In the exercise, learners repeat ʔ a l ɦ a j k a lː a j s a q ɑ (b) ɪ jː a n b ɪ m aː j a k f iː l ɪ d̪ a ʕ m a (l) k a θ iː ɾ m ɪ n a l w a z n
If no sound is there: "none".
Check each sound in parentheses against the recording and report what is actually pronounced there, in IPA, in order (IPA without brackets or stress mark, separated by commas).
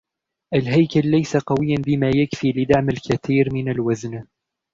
w, l